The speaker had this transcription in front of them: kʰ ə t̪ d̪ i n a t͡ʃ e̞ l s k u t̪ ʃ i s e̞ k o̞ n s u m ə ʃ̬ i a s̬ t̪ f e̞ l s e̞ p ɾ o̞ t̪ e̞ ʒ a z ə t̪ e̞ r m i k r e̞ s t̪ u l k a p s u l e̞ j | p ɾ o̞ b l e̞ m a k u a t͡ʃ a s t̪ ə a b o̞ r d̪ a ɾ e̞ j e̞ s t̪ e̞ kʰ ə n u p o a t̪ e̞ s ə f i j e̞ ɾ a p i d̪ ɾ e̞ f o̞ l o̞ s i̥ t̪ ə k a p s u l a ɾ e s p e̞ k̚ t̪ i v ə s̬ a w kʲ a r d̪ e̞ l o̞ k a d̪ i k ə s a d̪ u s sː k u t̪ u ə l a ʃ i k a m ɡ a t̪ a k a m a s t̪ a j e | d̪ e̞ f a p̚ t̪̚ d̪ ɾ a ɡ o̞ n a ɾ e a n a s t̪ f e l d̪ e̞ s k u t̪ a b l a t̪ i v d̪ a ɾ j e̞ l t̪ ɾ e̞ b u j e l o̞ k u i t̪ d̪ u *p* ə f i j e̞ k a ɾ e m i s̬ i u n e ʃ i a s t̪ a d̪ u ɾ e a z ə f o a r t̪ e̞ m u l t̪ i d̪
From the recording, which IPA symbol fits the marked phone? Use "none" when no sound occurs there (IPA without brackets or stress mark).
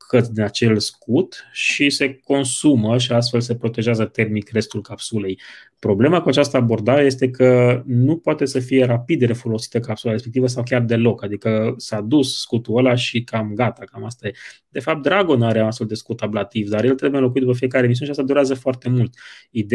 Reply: p